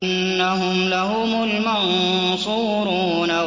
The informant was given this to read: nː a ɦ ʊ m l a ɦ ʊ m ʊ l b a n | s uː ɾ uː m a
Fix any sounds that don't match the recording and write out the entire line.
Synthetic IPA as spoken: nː a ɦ ʊ m l a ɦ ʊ m ʊ l m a n | s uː ɾ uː n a